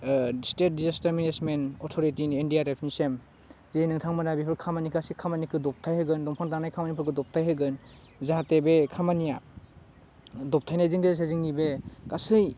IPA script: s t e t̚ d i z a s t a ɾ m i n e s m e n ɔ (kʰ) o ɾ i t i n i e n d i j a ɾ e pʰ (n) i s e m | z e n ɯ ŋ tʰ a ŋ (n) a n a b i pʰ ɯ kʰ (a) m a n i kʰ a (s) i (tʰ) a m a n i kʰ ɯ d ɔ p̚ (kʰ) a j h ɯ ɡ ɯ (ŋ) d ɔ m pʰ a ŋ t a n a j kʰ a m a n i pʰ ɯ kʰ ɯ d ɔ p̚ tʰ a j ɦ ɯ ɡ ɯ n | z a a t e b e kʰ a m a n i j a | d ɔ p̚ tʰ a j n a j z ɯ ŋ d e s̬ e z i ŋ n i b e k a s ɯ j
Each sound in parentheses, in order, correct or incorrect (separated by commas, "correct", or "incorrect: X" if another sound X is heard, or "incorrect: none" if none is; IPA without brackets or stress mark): incorrect: tʰ, correct, incorrect: m, correct, correct, incorrect: kʰ, incorrect: tʰ, incorrect: n